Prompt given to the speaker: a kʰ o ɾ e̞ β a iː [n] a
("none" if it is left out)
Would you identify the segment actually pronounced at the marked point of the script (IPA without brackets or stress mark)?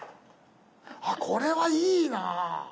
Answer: n